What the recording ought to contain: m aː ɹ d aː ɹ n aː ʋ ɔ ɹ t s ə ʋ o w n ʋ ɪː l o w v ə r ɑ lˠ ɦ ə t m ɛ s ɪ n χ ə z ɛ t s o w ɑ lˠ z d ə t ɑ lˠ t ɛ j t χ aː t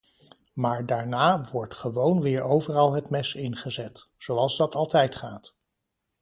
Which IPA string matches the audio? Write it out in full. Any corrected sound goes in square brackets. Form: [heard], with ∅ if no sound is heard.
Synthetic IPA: m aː ɹ d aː ɹ n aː ʋ ɔ ɹ t [χ] ə ʋ o w n ʋ ɪː [ɹ] o w v ə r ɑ lˠ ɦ ə t m ɛ s ɪ n χ ə z ɛ t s o w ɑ lˠ z d [ɑ] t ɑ lˠ t ɛ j t χ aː t